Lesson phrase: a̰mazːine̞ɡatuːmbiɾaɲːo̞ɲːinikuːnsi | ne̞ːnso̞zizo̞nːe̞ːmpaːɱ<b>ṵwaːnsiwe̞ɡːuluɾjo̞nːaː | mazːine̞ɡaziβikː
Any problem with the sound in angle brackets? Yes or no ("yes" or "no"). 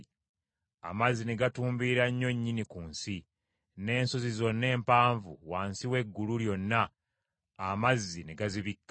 yes